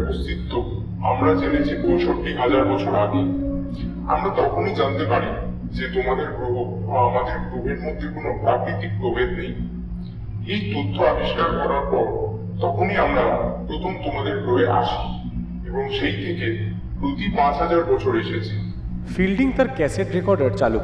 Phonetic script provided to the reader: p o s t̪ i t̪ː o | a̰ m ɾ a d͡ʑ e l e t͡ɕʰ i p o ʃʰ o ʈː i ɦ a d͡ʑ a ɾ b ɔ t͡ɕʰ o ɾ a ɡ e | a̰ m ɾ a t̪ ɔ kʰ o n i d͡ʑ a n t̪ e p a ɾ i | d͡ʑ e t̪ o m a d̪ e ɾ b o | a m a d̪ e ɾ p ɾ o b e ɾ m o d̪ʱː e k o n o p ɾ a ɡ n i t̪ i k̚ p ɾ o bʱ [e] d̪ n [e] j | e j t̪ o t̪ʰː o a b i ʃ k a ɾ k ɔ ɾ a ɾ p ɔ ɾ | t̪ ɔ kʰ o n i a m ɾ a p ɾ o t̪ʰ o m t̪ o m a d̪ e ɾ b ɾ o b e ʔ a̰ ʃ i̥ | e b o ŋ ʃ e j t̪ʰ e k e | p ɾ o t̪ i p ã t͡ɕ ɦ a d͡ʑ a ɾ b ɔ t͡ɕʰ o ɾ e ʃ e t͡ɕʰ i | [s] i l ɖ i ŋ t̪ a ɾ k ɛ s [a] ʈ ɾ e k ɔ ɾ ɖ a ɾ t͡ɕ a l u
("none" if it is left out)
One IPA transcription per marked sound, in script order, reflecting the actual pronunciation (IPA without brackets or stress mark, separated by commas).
e, e, f, e